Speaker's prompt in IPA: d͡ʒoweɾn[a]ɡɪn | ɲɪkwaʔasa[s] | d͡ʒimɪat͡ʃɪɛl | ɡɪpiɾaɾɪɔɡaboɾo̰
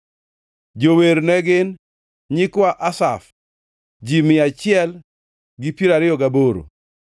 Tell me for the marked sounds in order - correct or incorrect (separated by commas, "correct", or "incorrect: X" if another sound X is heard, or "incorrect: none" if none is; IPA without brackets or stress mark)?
incorrect: ɛ, incorrect: f